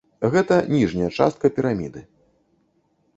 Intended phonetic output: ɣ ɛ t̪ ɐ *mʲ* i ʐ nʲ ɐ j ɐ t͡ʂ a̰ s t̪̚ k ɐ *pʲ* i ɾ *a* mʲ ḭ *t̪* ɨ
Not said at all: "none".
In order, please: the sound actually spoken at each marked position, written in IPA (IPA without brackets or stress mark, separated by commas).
nʲ, pʲ, a, d̪